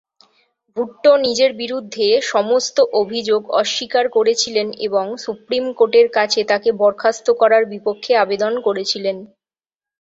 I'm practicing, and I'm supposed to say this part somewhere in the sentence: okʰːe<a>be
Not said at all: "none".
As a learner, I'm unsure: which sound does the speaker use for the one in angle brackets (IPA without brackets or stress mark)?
a